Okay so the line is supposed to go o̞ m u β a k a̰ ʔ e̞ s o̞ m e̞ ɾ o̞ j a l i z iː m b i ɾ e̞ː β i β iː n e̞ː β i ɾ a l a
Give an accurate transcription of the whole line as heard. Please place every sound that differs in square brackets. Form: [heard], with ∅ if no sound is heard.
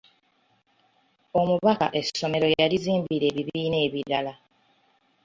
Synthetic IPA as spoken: o̞ m u β a k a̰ ʔ e̞ s o̞ m e̞ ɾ o̞ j a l i z iː m b i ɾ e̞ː β i β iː n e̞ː β i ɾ a l a